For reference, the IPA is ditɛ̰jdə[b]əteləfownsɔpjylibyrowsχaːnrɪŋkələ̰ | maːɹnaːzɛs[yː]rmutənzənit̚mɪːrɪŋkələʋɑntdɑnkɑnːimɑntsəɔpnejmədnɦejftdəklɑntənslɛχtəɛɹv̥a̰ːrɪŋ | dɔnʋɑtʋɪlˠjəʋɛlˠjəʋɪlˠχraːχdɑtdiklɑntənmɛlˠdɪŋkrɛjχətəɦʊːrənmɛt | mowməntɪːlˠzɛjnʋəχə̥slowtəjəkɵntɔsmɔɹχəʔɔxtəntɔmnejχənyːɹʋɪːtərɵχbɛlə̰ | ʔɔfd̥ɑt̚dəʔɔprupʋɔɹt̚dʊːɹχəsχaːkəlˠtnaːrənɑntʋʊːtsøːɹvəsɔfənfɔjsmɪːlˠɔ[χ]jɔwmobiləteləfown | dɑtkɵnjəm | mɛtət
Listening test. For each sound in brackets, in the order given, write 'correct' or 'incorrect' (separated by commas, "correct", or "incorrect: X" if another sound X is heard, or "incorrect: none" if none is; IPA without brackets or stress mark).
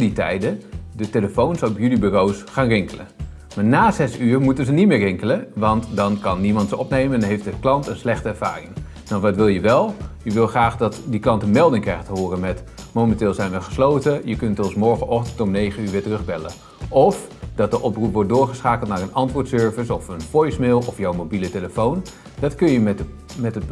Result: incorrect: d, correct, incorrect: f